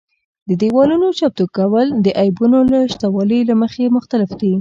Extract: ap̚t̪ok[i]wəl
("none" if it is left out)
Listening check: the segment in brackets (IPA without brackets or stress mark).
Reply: a